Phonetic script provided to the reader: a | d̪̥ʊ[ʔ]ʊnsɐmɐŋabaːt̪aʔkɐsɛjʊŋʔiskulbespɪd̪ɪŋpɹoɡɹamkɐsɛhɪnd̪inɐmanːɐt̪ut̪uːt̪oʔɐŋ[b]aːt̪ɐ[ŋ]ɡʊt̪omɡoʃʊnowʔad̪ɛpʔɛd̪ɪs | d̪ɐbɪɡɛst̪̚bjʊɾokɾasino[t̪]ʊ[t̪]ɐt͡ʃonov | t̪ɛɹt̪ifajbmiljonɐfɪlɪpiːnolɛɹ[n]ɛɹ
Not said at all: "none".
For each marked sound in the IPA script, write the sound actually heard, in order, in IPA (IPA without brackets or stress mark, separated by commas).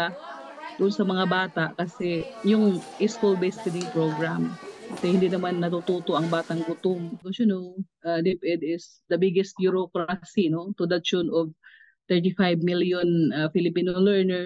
ʔ, b, ŋ, t̪, d̪, n